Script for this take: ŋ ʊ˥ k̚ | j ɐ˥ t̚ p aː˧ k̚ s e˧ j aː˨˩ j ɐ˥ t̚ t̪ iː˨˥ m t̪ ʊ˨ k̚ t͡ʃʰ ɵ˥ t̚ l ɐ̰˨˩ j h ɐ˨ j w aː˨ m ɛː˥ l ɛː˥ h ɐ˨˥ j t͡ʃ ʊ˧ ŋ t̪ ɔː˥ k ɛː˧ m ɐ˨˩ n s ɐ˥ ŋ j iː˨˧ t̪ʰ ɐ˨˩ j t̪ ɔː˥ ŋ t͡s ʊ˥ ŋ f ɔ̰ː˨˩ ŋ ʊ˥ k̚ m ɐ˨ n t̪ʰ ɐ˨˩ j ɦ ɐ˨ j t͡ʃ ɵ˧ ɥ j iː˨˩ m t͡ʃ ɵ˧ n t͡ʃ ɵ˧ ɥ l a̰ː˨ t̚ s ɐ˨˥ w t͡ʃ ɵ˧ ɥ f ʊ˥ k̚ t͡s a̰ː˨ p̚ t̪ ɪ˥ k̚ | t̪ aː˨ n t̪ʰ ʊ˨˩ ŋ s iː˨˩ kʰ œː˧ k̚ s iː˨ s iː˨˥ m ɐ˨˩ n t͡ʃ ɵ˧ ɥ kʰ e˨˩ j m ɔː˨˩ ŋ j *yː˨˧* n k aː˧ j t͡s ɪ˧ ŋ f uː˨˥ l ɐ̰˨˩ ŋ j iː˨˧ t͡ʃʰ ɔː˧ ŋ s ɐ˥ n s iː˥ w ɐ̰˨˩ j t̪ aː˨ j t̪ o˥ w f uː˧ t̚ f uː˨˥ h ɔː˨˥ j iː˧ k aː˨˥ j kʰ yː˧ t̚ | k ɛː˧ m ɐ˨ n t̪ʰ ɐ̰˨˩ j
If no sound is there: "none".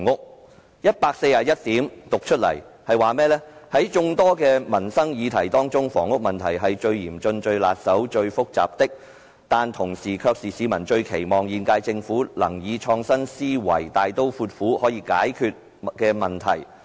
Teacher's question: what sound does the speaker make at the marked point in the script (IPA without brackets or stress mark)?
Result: iː˨˧